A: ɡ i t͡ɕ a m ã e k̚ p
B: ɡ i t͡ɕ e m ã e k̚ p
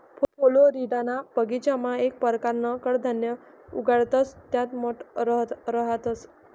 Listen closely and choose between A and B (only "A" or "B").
A